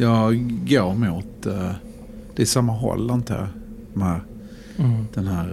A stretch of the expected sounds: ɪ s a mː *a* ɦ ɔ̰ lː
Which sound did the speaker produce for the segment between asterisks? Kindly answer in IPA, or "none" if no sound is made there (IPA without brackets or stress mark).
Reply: a